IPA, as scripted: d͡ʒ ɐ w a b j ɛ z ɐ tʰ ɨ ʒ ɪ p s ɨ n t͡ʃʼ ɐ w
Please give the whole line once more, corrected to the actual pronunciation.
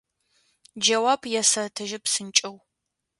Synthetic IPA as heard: d͡ʒ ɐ w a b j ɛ s ɐ tʰ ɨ ʒ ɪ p s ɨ n t͡ʃʼ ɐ w